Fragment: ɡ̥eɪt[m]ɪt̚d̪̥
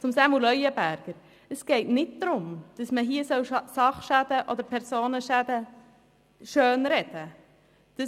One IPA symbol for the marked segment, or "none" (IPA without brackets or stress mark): n